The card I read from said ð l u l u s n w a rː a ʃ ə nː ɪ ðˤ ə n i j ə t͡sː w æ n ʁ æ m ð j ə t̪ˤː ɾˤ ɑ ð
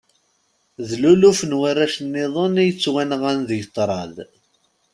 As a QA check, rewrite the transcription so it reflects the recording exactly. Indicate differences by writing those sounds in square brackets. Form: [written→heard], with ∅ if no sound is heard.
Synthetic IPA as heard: ð l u l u [s→f] n w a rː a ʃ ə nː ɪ ðˤ ə n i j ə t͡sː w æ n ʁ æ [m→n] ð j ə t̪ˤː ɾˤ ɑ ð